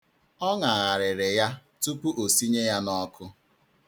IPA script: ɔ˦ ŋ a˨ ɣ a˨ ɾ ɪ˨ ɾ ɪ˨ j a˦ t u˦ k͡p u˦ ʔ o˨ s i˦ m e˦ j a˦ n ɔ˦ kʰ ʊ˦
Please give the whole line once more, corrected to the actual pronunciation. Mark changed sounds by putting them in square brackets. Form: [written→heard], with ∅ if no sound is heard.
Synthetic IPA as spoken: ɔ˦ ŋ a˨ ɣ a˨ ɾ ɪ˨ ɾ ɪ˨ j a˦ t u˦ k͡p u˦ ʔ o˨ s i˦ [m→ɲ] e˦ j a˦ n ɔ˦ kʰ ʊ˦